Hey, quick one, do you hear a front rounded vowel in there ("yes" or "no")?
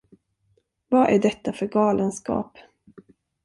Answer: yes